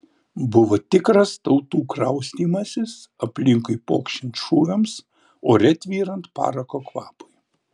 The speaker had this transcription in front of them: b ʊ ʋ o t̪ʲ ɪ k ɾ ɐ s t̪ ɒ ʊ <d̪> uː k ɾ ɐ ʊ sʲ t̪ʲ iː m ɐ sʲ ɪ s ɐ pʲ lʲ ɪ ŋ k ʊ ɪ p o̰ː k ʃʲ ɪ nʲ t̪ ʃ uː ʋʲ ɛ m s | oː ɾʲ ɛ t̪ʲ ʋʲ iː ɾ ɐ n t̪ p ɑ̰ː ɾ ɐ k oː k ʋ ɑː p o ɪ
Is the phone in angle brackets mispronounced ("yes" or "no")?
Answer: yes